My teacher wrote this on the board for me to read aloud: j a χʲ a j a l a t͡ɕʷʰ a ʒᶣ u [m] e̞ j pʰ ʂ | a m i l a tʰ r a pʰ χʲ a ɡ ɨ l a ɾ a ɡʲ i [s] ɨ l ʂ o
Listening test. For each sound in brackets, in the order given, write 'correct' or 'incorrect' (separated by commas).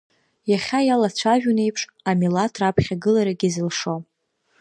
incorrect, incorrect